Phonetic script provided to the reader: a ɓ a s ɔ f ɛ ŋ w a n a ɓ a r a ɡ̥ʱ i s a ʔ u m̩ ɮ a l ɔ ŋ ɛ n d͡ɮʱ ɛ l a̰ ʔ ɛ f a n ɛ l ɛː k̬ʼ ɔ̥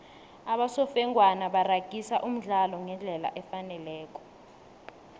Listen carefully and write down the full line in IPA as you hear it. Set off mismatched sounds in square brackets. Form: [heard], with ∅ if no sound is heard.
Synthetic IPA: a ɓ a s ɔ f ɛ ŋ w a n a ɓ a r a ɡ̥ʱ i s a ʔ u m̩ ɮ a l ɔ ŋ ɛ n d͡ɮʱ ɛ l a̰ ʔ ɛ f a n ɛ l ɛː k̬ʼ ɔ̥